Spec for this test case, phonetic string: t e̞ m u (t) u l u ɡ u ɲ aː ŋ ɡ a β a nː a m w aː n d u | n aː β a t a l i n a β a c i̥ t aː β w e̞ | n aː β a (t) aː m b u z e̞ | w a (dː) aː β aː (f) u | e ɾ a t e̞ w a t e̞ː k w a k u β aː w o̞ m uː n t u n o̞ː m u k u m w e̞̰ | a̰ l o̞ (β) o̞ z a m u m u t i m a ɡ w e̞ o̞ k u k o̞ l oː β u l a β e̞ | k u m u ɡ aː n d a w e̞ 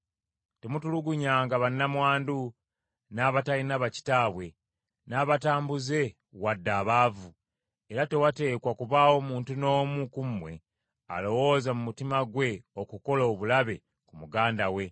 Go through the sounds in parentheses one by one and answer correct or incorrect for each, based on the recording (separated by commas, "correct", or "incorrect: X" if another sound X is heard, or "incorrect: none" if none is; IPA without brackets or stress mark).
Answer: correct, correct, correct, incorrect: v, incorrect: w